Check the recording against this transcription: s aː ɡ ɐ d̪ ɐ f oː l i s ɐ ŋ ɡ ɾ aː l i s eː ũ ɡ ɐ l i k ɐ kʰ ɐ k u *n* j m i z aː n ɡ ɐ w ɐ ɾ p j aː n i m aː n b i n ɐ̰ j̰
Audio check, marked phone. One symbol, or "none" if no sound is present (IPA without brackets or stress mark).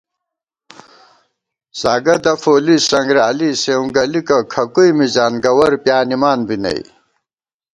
none